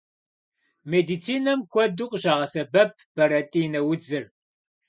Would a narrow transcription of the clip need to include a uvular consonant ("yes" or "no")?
yes